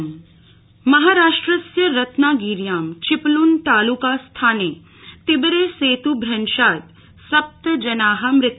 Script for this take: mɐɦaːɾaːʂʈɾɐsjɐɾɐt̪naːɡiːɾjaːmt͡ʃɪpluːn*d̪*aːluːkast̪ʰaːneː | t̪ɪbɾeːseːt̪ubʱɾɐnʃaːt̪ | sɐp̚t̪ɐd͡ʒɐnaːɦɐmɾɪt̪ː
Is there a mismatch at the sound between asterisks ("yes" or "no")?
yes